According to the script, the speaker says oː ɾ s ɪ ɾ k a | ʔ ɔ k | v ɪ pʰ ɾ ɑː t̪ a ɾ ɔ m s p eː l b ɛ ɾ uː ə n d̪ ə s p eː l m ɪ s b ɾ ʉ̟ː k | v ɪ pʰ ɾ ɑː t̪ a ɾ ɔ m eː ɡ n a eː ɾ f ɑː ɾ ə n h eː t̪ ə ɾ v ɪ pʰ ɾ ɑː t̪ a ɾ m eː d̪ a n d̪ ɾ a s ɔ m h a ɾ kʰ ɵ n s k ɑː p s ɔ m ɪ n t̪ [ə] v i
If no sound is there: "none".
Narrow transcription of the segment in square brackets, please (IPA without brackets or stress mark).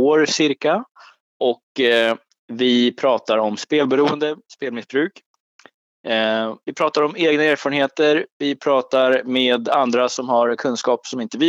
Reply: ə